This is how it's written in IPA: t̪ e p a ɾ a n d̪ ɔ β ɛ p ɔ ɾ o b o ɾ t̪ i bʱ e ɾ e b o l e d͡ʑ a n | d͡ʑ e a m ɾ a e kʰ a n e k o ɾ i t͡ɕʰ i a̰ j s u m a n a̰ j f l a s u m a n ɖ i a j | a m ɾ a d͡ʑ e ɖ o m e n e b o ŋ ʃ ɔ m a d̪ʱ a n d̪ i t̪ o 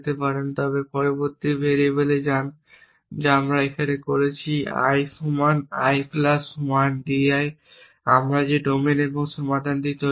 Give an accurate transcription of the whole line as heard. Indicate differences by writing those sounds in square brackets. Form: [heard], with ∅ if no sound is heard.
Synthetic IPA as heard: t̪ e p a ɾ [e] n [t̪] ɔ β [e] p ɔ ɾ o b o ɾ t̪ i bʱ e ɾ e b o l e d͡ʑ a n | d͡ʑ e a m ɾ a e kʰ a n e k o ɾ [e] t͡ɕʰ i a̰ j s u m a n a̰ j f l a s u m a n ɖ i a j | a m ɾ a d͡ʑ e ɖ o m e n e b o ŋ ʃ ɔ m a d̪ʱ a n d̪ i t̪ o